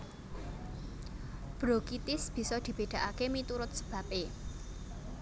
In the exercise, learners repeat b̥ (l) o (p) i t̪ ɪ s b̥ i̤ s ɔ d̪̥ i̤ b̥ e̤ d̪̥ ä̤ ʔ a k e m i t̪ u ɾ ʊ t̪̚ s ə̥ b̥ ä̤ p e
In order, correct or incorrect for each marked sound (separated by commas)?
incorrect, incorrect